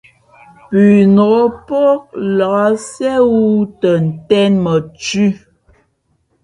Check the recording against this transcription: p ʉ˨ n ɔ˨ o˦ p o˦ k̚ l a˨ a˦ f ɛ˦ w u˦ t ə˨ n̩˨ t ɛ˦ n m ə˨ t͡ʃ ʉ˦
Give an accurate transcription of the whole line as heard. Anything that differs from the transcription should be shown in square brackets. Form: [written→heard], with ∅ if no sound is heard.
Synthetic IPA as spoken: p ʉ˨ n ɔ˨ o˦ p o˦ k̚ l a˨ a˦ [f→s] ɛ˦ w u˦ t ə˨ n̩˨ t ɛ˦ n m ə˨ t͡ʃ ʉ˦